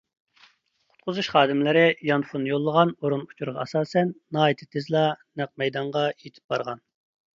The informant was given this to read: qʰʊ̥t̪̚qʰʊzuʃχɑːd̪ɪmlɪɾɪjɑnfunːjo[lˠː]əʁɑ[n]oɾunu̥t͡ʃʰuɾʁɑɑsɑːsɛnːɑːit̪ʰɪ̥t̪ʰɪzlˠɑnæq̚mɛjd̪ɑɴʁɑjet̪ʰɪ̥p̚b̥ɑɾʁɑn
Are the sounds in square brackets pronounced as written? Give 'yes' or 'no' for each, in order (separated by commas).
yes, yes